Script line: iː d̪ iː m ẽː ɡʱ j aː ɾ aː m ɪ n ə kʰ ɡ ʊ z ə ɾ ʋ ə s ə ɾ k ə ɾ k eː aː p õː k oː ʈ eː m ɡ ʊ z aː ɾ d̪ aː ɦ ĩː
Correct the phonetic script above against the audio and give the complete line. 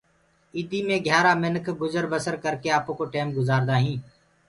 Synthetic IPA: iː d̪ iː m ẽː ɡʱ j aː ɾ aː m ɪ n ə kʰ ɡ ʊ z ə ɾ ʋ ə s ə ɾ k ə ɾ k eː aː p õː k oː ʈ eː m ɡ ʊ z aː ɾ d̪ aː ɦ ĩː